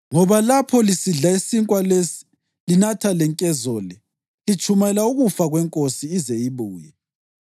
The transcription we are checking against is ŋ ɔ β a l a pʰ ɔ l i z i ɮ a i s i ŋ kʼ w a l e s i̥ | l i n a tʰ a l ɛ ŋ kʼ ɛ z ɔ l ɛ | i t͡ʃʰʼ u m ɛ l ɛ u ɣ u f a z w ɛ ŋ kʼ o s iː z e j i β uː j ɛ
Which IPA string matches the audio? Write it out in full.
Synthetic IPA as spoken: ŋ ɔ β a l a pʰ ɔ l i s i ɮ a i s i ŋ kʼ w a l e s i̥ | l i n a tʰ a l ɛ ŋ kʼ ɛ z ɔ l ɛ | i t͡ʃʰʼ u m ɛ l a u ɣ u f a ɣ w ɛ ŋ kʼ o s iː z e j i β uː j ɛ